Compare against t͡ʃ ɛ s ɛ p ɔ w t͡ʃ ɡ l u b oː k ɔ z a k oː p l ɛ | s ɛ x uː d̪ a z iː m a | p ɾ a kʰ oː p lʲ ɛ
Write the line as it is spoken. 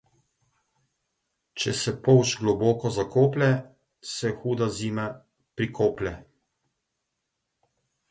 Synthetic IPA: t͡ʃ ɛ s ɛ p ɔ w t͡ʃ ɡ l ɔ b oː k ɔ z a k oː p l ɛ | s ɛ x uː d̪ a z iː m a | p ɾ i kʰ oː p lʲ ɛ